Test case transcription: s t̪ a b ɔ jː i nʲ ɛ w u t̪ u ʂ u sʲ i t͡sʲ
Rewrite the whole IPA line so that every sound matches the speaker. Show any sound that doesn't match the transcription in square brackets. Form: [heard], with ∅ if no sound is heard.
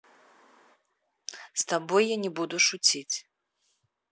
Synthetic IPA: s t̪ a b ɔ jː [a] nʲ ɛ [b] u [d̪] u ʂ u [t͡sʲ] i t͡sʲ